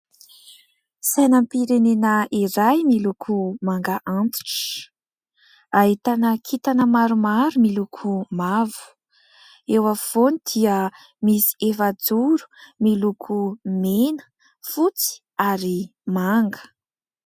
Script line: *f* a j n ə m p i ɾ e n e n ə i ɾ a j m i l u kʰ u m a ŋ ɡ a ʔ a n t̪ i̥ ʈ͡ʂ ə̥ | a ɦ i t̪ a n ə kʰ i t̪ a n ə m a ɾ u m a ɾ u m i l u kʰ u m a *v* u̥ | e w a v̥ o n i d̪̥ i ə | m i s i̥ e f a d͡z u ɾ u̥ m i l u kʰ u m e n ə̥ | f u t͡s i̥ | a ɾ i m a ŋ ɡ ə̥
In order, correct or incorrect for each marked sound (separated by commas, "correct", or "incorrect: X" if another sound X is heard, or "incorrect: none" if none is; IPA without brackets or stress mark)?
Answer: incorrect: s, correct